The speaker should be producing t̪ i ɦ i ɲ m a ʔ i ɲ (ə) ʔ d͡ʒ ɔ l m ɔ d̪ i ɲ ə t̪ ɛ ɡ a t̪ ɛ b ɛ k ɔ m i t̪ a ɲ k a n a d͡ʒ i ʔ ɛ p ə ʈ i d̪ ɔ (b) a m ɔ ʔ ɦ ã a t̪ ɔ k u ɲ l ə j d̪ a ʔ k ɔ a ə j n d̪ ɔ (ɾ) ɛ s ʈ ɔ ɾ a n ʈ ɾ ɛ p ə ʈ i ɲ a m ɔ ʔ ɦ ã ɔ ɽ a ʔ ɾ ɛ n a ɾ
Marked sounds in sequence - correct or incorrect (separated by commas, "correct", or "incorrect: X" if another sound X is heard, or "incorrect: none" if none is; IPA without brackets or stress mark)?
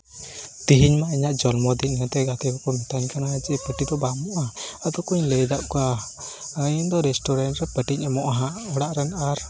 incorrect: a, correct, correct